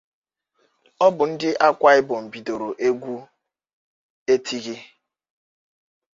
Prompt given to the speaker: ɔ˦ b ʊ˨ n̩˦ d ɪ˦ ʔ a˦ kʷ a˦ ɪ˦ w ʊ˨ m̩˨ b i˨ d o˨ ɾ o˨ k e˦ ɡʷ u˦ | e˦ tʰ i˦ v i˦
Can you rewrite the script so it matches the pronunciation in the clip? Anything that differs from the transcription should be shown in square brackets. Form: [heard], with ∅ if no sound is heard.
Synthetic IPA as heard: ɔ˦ b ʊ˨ n̩˦ d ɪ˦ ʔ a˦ kʷ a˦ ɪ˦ [b] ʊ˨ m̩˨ b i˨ d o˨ ɾ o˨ [ʔ] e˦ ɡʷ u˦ | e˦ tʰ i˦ [ɣ] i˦